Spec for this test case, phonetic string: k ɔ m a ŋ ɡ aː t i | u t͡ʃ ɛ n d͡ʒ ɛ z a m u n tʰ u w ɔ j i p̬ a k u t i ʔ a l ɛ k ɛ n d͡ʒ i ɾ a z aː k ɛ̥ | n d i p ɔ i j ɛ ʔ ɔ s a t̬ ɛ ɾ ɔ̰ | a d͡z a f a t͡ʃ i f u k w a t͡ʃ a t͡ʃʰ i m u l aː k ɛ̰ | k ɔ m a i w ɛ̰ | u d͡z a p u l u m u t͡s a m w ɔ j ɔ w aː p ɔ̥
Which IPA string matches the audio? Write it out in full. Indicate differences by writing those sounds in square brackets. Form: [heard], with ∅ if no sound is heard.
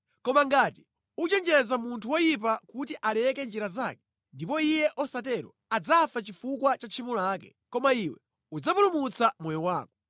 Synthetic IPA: k ɔ m a ŋ ɡ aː t i | u t͡ʃ ɛ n d͡ʒ ɛ z a m u n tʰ u w ɔ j i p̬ a k u t i ʔ a l ɛ k ɛ n d͡ʒ i ɾ a z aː k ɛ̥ | n d i p ɔ i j ɛ ʔ ɔ s a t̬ ɛ ɾ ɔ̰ | a d͡z a f a t͡ʃ i f u k w a t͡ʃ a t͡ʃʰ i m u l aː k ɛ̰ | k ɔ m a i w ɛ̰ | u d͡z a p u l u m u t͡s a m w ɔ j ɔ w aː [k] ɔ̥